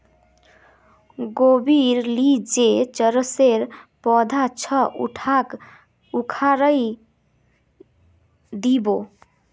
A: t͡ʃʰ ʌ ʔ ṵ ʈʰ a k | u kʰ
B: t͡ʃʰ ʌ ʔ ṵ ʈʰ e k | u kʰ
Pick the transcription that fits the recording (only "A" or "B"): A